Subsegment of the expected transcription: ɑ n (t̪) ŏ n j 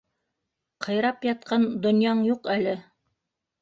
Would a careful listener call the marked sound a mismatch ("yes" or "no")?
yes